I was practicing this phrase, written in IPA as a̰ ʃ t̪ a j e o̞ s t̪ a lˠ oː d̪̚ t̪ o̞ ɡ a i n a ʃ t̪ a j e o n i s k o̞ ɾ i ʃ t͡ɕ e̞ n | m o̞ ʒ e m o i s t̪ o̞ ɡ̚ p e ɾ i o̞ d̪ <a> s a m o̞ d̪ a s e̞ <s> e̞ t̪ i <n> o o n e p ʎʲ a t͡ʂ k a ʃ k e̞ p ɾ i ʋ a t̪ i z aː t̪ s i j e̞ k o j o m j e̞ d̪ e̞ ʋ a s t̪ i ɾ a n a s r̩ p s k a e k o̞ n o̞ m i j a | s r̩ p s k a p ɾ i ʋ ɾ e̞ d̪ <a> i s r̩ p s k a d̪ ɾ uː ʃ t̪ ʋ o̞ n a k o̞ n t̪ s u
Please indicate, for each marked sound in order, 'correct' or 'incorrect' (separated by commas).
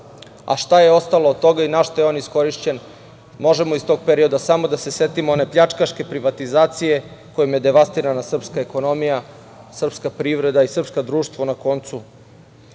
correct, correct, incorrect, correct